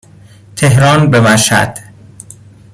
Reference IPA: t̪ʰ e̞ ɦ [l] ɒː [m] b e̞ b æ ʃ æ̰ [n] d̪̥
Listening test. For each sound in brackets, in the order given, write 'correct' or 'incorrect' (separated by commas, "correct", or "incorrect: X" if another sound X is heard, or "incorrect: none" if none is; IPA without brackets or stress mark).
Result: incorrect: ɾ, incorrect: n, incorrect: none